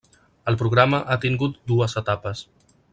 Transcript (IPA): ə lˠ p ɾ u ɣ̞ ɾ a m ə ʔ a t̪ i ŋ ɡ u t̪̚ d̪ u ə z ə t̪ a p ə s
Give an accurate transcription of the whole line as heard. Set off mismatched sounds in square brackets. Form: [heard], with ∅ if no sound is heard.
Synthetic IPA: ə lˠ p ɾ u ɣ̞ ɾ a m ə ʔ a t̪ i ŋ ɡ u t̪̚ d̪ u ə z ə t̪ a p ə s